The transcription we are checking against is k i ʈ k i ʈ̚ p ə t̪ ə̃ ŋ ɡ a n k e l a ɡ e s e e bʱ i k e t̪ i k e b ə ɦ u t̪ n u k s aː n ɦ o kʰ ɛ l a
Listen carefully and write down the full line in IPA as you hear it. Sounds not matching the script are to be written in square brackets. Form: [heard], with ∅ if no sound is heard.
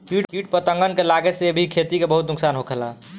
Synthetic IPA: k i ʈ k i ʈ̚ p ə t̪ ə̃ ŋ ɡ [ə] n k e l a ɡ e s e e bʱ i [kʰ] e t̪ i k e b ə ɦ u t̪ n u k s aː n ɦ o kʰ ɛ l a